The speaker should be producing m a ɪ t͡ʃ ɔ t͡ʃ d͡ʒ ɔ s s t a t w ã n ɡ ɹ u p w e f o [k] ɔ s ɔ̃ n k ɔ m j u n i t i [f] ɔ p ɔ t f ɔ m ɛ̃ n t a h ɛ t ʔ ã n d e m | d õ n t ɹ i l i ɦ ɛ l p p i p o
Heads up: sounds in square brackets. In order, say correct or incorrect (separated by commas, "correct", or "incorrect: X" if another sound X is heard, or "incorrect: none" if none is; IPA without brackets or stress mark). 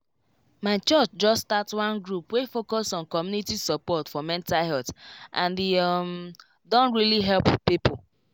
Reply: correct, incorrect: s